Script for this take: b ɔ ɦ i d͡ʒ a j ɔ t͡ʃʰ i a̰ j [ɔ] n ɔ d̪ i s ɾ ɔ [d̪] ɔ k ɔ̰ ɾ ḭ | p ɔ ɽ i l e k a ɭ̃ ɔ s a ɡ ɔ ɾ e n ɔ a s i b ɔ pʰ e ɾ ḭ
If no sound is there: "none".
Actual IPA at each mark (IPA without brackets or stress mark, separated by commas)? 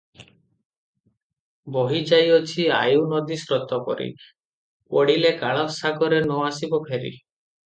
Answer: u, t̪